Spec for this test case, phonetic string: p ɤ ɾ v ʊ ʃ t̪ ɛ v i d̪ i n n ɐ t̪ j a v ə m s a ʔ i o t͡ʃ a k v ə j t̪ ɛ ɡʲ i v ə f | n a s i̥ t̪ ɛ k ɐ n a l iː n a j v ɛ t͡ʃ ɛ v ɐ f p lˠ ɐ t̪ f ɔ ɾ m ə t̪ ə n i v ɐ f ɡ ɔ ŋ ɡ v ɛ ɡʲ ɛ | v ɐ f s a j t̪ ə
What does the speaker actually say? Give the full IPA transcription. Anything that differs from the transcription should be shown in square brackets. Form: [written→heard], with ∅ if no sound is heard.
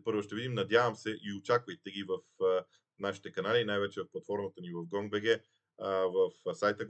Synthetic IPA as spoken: p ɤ ɾ v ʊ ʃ t̪ ɛ v i d̪ i [n→m] n ɐ [t̪→d̪] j a v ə m s [a→ɛ] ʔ i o t͡ʃ a k v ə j t̪ ɛ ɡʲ i v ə f | n a [s→ʃ] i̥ t̪ ɛ k ɐ n a l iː n a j v ɛ t͡ʃ ɛ v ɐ f p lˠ ɐ t̪ f ɔ ɾ m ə t̪ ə n i v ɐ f ɡ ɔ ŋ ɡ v ɛ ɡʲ ɛ | v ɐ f s a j t̪ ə